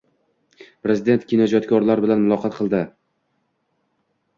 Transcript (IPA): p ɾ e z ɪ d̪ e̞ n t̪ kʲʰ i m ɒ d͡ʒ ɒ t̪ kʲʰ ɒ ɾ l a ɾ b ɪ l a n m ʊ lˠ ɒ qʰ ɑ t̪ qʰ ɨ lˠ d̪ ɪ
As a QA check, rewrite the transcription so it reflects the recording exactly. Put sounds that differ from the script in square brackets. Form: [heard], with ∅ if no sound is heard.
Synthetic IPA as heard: p ɾ e z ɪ d̪ e̞ n t̪ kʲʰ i [n] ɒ d͡ʒ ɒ t̪ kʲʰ ɒ ɾ l a ɾ b ɪ l a n m ʊ lˠ ɒ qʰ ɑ t̪ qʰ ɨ lˠ d̪ ɪ